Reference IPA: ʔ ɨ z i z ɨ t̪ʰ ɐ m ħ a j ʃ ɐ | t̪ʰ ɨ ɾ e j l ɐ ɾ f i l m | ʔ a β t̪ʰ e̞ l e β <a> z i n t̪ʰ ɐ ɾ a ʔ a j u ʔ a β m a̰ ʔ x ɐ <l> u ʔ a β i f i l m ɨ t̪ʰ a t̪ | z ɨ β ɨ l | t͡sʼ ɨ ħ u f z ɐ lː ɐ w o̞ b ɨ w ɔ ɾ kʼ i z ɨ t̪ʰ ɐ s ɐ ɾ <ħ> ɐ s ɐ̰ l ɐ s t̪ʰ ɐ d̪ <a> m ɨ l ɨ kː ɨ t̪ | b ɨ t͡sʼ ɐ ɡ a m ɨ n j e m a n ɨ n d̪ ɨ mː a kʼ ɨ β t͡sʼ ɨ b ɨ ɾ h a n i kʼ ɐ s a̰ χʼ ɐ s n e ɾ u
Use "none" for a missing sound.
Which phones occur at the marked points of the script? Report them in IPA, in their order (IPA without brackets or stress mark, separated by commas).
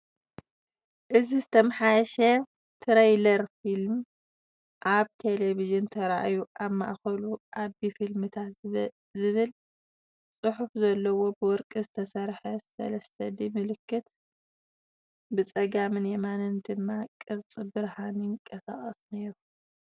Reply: i, l, ħ, i